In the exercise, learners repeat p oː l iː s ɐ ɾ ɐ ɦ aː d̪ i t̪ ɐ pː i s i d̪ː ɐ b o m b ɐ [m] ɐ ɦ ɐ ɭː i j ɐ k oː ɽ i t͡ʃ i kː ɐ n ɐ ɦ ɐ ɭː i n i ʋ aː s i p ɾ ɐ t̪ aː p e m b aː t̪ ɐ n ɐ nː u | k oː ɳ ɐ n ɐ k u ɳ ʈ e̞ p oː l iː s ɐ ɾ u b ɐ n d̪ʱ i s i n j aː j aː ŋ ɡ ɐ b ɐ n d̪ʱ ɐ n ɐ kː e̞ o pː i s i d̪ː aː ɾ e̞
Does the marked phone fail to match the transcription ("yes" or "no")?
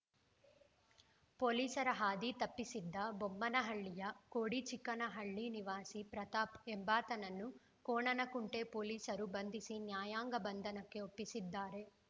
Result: yes